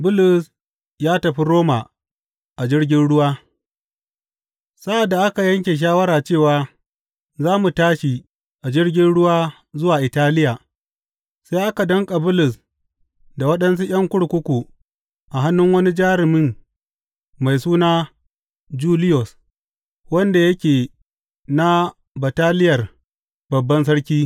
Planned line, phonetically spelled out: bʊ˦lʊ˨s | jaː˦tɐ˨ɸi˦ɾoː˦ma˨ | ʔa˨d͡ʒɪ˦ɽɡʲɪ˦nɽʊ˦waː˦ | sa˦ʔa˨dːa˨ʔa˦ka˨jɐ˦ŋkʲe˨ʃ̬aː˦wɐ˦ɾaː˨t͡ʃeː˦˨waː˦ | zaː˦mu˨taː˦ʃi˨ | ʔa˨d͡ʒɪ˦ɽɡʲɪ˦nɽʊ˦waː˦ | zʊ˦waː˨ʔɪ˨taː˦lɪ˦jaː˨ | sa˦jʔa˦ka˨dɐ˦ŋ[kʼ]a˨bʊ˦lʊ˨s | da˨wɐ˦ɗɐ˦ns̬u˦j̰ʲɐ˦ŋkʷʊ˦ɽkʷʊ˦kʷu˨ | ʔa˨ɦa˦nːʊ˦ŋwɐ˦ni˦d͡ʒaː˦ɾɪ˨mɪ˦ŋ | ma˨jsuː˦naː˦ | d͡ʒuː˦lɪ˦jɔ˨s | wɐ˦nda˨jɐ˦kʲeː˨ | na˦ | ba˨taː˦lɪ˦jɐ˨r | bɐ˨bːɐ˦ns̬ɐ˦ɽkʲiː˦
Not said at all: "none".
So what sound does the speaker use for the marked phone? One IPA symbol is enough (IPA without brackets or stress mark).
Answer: kʼ